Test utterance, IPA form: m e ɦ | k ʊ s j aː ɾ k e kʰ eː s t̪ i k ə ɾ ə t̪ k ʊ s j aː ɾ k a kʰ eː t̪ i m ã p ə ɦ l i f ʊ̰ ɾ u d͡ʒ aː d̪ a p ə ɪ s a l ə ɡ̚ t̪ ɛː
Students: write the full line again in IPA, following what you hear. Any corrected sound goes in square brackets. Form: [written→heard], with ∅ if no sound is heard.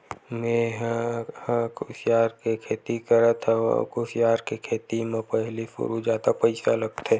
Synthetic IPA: m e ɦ | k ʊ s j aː ɾ k e kʰ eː [s→∅] t̪ i k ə ɾ ə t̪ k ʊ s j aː ɾ k [a→e] kʰ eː t̪ i m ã p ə ɦ l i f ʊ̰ ɾ u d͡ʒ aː d̪ a p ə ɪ s a l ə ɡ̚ t̪ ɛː